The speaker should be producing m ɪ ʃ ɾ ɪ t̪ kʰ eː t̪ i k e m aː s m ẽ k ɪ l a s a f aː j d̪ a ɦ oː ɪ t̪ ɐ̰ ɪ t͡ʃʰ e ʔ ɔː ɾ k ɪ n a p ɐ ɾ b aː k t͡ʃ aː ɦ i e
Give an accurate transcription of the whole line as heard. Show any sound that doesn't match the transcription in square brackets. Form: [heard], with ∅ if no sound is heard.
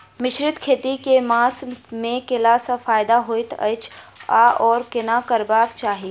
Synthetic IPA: m ɪ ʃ ɾ ɪ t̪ kʰ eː t̪ i k e m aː s m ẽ k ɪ l a s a f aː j d̪ a ɦ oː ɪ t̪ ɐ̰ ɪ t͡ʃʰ [a] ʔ ɔː ɾ k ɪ n a [k] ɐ ɾ b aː k t͡ʃ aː ɦ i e